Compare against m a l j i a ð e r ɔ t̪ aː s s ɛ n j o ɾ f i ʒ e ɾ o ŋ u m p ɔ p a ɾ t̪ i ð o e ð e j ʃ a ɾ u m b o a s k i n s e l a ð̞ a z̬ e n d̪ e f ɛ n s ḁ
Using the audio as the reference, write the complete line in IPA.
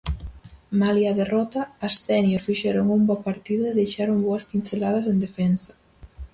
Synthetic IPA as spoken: m a l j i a ð e r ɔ t̪ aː s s ɛ n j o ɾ f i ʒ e ɾ o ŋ u m b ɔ p a ɾ t̪ i ð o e ð e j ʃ a ɾ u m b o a s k i n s e l a ð̞ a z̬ e n d̪ e f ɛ n s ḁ